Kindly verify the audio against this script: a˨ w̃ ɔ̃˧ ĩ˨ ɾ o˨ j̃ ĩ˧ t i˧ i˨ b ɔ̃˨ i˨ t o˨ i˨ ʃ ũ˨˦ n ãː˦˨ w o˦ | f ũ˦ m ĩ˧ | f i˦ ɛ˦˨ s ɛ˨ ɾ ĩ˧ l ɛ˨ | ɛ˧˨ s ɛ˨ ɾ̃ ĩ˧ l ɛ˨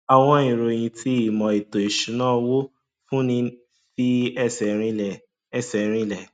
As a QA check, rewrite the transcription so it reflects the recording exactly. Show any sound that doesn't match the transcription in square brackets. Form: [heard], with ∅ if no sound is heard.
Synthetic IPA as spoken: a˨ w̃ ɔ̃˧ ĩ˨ ɾ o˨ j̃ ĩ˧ t i˧ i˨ [m] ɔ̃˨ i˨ t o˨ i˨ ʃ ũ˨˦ n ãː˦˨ w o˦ | f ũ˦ [n] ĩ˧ | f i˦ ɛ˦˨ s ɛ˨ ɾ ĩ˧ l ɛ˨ | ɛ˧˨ s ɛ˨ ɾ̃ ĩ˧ l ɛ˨